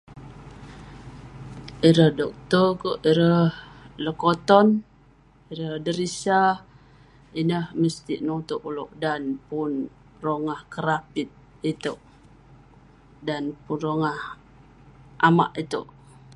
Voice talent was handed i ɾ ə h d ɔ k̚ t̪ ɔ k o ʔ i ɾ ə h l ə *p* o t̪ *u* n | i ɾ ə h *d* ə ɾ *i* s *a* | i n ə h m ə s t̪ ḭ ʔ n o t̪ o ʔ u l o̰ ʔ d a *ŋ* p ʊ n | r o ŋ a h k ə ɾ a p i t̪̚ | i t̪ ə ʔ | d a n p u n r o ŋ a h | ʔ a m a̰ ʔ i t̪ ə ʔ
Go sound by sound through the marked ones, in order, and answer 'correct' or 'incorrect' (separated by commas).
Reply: incorrect, incorrect, correct, correct, correct, incorrect